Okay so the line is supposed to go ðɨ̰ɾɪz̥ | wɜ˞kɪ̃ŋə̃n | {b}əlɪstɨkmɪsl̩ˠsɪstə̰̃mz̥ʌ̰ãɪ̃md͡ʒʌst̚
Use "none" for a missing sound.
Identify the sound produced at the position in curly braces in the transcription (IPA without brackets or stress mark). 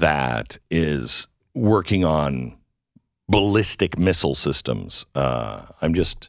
b